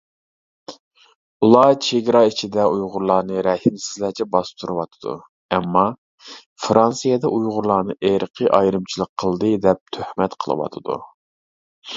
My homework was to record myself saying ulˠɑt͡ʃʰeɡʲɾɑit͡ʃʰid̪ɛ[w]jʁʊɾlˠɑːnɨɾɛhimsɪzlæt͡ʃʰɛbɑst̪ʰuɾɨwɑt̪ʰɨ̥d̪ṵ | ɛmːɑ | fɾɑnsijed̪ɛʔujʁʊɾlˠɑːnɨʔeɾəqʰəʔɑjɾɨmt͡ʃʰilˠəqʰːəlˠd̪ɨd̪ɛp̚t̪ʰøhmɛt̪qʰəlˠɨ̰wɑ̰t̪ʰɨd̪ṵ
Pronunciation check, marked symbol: incorrect: u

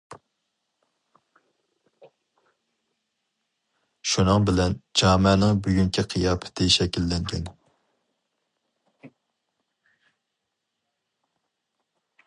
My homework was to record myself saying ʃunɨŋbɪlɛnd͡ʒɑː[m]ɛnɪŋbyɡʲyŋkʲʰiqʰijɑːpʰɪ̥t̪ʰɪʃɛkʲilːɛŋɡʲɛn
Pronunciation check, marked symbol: correct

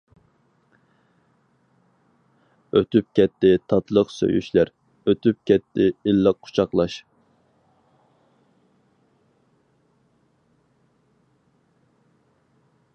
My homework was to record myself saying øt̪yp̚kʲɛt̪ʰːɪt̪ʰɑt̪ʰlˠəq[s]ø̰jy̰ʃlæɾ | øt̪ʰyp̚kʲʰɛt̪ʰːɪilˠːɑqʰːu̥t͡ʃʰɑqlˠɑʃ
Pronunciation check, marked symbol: correct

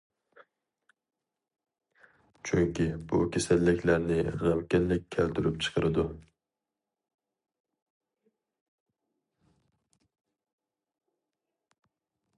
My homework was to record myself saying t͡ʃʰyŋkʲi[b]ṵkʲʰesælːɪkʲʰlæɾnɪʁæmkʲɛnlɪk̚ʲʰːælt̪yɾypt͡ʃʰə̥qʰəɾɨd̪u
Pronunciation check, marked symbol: correct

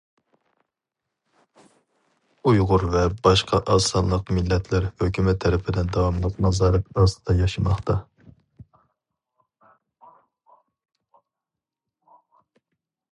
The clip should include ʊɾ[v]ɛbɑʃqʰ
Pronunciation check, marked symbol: correct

